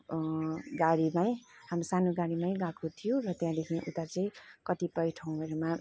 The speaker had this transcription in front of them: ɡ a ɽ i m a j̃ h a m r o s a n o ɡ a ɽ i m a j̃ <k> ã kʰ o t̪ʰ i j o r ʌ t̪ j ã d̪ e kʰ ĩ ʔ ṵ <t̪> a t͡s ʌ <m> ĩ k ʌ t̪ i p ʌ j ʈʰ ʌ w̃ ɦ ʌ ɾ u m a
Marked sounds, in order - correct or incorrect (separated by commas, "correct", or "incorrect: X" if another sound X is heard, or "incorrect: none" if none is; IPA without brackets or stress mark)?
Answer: incorrect: ɡ, correct, incorrect: none